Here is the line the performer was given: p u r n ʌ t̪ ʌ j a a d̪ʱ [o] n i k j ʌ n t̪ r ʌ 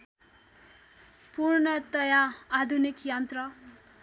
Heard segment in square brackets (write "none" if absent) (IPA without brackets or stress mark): u